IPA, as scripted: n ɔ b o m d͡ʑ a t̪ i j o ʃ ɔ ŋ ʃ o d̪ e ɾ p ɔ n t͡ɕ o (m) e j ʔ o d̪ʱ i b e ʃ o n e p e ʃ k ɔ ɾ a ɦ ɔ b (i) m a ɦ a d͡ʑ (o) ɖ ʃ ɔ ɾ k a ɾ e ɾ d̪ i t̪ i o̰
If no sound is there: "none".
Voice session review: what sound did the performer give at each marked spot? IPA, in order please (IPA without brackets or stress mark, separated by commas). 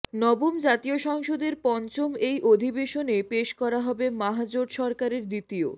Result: m, e, o